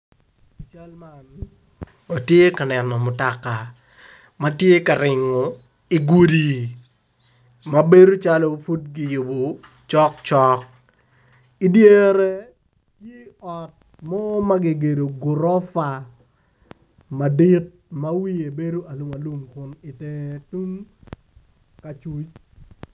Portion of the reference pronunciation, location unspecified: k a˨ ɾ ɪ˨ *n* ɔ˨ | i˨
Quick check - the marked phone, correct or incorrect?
incorrect